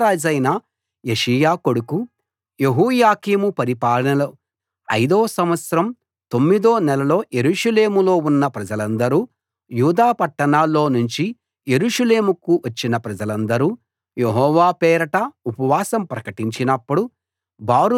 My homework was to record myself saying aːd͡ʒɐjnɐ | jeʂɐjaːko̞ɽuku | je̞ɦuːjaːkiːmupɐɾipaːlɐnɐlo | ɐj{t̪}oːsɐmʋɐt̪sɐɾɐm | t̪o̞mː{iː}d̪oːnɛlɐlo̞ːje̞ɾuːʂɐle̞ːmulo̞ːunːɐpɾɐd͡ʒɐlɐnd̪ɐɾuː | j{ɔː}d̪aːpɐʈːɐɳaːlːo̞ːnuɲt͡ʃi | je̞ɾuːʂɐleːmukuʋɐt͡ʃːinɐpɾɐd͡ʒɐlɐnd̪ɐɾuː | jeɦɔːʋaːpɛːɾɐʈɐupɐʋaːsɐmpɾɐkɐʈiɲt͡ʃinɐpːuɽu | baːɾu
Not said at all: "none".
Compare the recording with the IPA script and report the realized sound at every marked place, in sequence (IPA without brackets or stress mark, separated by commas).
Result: d̪, i, uː